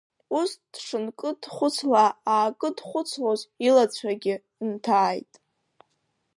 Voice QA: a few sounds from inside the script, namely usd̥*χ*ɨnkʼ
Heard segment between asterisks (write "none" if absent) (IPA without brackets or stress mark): ʂ